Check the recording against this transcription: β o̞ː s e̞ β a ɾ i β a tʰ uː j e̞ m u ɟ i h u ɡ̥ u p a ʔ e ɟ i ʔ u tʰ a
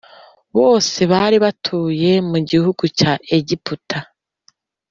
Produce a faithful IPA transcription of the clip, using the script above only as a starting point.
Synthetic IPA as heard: β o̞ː s e̞ β a ɾ i β a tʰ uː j e̞ m u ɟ i h u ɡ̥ u c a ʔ e ɟ i p u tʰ a